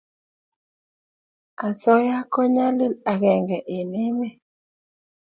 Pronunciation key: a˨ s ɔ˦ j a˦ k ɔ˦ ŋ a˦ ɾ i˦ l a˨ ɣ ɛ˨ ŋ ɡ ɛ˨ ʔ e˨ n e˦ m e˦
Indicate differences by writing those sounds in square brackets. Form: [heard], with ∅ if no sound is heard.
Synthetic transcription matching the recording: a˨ s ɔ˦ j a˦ k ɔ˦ [ɲ] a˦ [l] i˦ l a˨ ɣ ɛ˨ ŋ ɡ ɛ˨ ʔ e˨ n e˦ m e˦

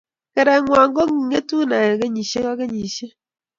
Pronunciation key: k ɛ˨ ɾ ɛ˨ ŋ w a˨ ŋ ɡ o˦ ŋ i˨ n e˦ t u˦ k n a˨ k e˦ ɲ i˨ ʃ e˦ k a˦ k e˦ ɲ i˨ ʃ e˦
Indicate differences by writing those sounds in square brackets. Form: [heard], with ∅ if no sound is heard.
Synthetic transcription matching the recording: k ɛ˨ ɾ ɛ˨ ŋ w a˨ ŋ ɡ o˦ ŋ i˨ [ŋ] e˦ t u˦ [∅] n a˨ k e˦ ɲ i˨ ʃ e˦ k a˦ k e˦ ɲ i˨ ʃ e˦

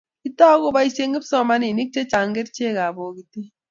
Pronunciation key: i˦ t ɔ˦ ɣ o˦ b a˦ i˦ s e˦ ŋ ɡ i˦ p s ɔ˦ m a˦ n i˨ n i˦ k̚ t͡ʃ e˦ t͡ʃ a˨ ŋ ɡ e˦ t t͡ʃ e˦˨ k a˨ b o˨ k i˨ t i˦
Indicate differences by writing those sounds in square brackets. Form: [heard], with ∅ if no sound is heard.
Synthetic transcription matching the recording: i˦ t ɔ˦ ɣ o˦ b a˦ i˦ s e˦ ŋ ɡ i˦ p s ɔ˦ m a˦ n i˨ n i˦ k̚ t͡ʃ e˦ t͡ʃ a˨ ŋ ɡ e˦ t t͡ʃ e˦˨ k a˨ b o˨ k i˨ t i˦

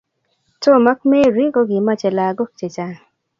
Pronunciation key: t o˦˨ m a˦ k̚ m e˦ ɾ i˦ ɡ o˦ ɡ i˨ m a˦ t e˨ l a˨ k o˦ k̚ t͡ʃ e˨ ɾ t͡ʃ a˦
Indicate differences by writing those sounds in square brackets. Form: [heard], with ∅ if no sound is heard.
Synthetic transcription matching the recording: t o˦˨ m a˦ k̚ m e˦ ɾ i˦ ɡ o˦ ɡ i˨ m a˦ [t͡ʃ] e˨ l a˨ [ɡ] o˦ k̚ t͡ʃ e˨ [∅] t͡ʃ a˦

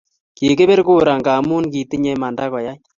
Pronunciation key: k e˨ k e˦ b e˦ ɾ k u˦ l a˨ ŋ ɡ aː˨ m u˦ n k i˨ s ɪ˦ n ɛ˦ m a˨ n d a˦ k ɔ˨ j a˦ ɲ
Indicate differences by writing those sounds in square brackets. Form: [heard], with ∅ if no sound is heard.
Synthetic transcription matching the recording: k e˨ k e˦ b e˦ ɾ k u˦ [ɾ] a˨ ŋ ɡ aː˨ m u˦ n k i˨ [t] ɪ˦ [ɲ] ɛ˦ m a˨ n d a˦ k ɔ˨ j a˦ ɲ

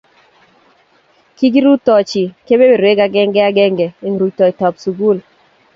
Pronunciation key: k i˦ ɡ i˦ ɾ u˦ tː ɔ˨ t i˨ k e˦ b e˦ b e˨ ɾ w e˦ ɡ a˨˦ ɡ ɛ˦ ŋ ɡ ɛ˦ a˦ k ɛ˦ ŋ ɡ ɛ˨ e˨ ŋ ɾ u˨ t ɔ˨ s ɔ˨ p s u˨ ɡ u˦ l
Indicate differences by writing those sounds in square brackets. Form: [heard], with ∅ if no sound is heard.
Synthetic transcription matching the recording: k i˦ ɡ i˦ ɾ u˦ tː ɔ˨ [t͡ʃ] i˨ k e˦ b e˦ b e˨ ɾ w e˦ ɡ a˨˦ ɡ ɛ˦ ŋ ɡ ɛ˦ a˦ [ɡ] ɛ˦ ŋ ɡ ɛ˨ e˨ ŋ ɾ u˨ t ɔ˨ [t] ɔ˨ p s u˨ ɡ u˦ l

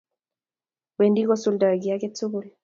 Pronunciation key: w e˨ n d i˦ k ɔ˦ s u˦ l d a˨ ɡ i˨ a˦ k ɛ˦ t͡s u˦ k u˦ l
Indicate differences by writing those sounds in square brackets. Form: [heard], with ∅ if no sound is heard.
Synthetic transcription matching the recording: w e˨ n d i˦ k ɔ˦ s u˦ l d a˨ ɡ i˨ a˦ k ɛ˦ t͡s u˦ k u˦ l

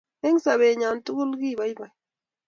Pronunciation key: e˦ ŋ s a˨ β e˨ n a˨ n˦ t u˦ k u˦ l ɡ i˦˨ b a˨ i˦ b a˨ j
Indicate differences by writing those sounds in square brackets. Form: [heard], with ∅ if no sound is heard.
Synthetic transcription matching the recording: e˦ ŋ s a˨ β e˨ [ɲ] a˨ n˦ t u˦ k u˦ l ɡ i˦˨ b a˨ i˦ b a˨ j

